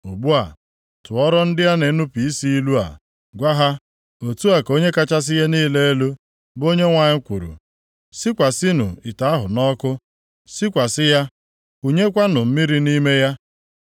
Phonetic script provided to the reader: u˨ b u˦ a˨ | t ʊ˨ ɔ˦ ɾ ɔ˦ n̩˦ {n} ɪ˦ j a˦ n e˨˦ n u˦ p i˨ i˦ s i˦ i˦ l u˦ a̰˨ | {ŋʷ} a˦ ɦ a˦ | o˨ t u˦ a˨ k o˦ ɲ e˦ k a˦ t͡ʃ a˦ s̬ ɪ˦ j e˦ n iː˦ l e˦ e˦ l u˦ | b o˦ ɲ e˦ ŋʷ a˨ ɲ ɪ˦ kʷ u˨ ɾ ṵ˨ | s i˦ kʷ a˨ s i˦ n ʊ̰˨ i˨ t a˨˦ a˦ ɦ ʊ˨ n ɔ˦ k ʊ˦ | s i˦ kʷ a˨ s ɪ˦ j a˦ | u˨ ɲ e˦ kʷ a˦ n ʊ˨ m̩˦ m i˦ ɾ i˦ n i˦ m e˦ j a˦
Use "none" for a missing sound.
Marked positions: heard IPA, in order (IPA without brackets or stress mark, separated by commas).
d, ɡʷ